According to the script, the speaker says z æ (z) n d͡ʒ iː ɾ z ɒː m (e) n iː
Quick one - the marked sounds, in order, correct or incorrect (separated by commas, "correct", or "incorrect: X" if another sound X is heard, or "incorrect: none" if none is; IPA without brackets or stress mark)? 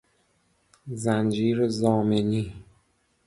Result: incorrect: none, correct